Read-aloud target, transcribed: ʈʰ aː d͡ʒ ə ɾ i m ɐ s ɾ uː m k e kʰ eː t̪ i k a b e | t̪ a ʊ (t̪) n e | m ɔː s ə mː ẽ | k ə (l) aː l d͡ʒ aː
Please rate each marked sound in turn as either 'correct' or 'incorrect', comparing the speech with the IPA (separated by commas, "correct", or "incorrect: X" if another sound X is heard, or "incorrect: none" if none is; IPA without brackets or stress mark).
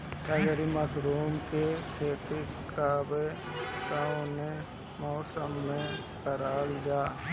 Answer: incorrect: none, incorrect: ɾ